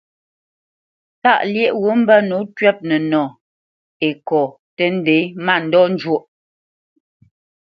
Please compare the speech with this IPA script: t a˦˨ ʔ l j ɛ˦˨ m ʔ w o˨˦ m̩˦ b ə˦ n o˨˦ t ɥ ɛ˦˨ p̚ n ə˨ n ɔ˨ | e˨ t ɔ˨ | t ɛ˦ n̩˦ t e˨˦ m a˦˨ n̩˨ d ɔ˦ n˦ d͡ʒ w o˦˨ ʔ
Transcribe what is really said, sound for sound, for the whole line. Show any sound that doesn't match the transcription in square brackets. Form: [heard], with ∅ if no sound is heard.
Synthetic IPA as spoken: t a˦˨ ʔ l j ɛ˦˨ [∅] ʔ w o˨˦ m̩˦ b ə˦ n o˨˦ t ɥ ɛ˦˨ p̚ n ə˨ n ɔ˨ | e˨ [k] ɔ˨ | t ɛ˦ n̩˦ [d] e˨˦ m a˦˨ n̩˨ d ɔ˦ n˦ d͡ʒ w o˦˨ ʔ